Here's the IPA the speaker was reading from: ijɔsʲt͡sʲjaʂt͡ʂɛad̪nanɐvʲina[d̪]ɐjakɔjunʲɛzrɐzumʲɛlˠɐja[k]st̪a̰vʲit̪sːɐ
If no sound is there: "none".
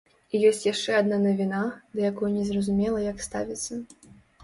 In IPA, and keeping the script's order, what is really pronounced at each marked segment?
d̪, k

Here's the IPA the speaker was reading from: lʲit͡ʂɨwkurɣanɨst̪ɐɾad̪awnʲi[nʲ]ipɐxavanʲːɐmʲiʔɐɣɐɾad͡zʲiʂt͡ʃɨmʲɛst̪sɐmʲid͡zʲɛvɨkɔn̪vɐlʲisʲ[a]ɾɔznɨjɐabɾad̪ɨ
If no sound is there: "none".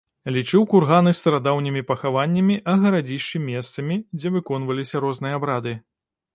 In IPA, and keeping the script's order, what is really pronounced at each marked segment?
mʲ, ɐ

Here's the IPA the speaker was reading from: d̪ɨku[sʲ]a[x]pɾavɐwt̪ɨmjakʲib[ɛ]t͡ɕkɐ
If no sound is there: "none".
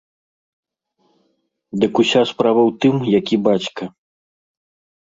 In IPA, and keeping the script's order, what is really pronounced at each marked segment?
sʲ, s, a

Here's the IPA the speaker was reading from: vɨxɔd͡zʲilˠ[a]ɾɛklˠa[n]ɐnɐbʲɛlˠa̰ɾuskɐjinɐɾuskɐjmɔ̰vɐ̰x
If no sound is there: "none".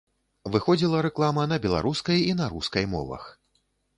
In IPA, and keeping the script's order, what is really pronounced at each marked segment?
ɐ, m

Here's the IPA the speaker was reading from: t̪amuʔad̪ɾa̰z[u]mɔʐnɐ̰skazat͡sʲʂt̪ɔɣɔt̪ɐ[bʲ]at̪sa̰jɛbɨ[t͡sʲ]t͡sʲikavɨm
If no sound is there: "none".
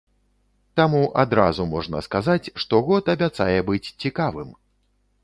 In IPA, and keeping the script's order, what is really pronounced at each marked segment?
u, bʲ, t͡sʲ

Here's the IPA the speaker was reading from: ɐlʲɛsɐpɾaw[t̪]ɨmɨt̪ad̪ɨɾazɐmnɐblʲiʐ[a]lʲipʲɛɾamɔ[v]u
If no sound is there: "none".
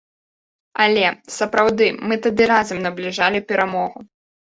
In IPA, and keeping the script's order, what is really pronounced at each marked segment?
d̪, a, ɣ

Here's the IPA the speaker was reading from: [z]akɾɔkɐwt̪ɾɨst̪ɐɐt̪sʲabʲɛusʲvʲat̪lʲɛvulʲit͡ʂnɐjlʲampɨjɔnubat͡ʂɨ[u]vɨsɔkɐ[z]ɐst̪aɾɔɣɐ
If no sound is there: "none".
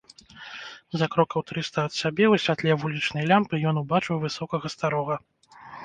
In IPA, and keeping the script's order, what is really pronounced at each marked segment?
z, w, ɣ

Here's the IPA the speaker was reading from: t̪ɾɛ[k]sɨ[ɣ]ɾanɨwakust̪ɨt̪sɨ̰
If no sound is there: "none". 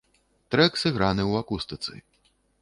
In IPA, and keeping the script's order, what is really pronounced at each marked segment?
k, ɣ

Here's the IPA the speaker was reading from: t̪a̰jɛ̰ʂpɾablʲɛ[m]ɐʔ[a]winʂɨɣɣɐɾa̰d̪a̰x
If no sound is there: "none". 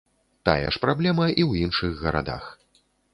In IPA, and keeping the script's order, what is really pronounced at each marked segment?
m, i

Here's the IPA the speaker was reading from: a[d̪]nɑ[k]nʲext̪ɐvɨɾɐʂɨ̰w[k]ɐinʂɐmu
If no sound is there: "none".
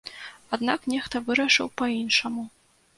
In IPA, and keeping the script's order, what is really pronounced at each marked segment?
d̪, k, p

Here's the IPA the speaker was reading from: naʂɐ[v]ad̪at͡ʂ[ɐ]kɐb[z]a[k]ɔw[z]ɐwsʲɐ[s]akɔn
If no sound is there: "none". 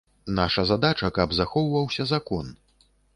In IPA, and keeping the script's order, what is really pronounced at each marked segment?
z, ɐ, z, x, v, z

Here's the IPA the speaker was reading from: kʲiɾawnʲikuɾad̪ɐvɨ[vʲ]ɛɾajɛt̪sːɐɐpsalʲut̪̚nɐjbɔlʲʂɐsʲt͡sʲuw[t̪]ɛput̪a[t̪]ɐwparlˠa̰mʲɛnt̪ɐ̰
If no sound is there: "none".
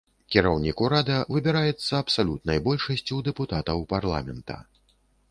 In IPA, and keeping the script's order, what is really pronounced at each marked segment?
bʲ, d̪, t̪

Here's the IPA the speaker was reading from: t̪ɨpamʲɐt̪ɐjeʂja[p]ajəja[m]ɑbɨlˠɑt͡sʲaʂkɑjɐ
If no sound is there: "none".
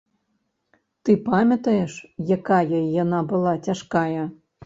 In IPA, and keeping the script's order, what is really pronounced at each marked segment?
k, n

